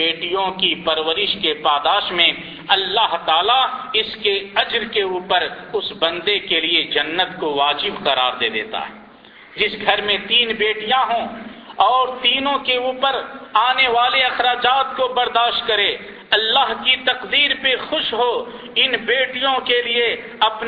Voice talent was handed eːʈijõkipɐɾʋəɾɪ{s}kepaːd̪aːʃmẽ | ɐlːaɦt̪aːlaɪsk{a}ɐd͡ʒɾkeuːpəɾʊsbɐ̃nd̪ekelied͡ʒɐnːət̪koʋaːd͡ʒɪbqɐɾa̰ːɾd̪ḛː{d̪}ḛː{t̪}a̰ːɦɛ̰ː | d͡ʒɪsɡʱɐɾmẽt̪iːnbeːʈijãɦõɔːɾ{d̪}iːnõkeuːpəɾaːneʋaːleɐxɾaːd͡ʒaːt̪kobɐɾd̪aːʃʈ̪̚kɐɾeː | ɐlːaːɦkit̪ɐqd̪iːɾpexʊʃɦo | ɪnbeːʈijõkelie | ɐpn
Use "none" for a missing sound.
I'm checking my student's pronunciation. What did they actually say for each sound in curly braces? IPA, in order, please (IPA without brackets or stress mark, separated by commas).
ʃ, e, d̪, t̪, t̪